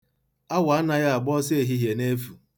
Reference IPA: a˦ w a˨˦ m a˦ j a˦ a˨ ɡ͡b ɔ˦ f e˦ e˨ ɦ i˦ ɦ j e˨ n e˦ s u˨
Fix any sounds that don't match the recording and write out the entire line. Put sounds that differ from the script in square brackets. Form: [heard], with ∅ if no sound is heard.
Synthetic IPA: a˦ w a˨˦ [n] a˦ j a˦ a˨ ɡ͡b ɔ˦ [s] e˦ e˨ ɦ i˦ ɦ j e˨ n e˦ [f] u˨